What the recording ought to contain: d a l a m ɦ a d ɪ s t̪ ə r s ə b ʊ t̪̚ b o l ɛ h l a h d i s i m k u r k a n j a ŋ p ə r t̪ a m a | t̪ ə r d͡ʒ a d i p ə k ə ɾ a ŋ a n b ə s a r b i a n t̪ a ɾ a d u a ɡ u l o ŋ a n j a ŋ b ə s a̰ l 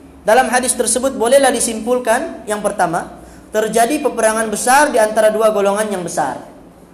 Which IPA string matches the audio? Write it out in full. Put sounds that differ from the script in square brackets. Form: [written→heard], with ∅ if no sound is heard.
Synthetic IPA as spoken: d a l a m ɦ a d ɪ s t̪ ə r s ə b ʊ t̪̚ b o l ɛ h l a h d i s i m [k→p] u [r→l] k a n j a ŋ p ə r t̪ a m a | t̪ ə r d͡ʒ a d i p ə [k→p] ə ɾ a ŋ a n b ə s a r [b→d] i a n t̪ a ɾ a d u a ɡ [u→o] l o ŋ a n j a ŋ b ə s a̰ [l→r]